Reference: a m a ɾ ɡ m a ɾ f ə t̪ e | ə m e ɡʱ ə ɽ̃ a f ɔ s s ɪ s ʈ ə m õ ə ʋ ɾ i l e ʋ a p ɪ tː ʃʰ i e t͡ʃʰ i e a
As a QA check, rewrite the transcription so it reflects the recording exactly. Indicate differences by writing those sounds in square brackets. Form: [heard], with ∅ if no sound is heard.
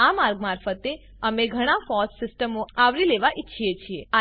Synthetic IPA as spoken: a m a ɾ ɡ m a ɾ f ə t̪ e | ə m e ɡʱ ə ɽ̃ a f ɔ s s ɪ s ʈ ə m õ [a] ʋ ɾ i l e ʋ a [ʔ] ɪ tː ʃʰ i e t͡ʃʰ i e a